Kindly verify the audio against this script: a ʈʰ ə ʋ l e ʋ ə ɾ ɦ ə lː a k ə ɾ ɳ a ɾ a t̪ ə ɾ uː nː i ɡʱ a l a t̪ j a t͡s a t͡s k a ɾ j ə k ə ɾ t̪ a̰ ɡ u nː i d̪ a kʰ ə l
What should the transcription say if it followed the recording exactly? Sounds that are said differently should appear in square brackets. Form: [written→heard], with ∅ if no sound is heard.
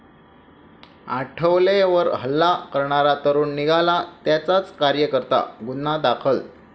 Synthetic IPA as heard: a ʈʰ ə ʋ l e ʋ ə ɾ ɦ ə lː a k ə ɾ ɳ a ɾ a t̪ ə ɾ uː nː i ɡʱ a l a t̪ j a t͡s a t͡s k a ɾ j ə k ə ɾ t̪ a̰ ɡ u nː [i→a] d̪ a kʰ ə l

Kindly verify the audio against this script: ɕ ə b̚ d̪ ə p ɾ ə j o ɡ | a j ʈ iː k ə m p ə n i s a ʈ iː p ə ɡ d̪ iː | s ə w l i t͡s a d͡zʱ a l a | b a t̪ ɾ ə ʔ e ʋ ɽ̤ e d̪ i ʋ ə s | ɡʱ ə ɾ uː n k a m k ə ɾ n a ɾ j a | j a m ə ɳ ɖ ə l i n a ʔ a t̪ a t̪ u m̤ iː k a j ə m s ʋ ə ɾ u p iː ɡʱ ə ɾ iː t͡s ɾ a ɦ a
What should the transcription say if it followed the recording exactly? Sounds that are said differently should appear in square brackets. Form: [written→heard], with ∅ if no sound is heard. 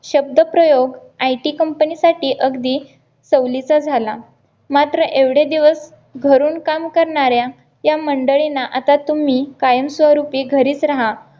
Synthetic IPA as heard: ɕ ə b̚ d̪ ə p ɾ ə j o ɡ | a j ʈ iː k ə m p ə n i s a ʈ iː [p→ʔ] ə ɡ d̪ iː | s ə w l i t͡s a d͡zʱ a l a | [b→m] a t̪ ɾ ə ʔ e ʋ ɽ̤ e d̪ i ʋ ə s | ɡʱ ə ɾ uː n k a m k ə ɾ [n→ɳ] a ɾ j a | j a m ə ɳ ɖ ə [l→ɭ] i n a ʔ a t̪ a t̪ u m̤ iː k a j ə m s ʋ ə ɾ u p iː ɡʱ ə ɾ iː t͡s ɾ a ɦ a

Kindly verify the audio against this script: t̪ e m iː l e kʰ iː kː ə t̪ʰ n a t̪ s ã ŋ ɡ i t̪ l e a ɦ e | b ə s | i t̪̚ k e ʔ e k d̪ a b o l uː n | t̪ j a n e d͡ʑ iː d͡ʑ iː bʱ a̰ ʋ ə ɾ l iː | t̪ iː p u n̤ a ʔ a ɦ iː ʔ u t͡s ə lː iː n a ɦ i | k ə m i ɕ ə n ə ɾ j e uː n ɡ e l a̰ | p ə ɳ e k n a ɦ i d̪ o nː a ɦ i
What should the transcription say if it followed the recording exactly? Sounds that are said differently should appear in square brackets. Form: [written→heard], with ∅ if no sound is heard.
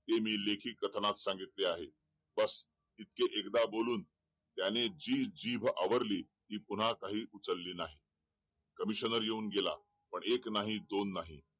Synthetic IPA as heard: t̪ e m iː l e kʰ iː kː ə t̪ʰ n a t̪ s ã ŋ ɡ i t̪ l e a ɦ e | b ə s | i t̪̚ k e ʔ e k d̪ a b o l uː n | t̪ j a n e d͡ʑ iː d͡ʑ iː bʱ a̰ ʋ ə ɾ l iː | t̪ iː p u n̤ a [ʔ→k] a ɦ iː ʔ u t͡s ə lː iː n a ɦ i | k ə m i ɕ ə n ə ɾ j e uː n ɡ e l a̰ | p ə ɳ e k n a ɦ i d̪ o nː a ɦ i

